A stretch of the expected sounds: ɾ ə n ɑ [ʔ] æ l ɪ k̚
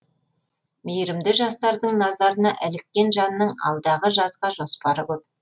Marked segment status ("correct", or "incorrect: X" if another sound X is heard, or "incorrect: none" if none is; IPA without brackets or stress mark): correct